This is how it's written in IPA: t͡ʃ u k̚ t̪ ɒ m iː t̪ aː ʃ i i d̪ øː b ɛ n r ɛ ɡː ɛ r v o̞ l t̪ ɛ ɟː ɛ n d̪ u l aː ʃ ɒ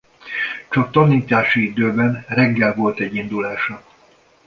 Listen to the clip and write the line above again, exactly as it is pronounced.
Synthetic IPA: t͡ʃ ɒ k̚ t̪ ɒ n iː t̪ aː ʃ i i d̪ øː b ɛ n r ɛ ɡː ɛ l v o̞ l t̪ ɛ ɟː i n d̪ u l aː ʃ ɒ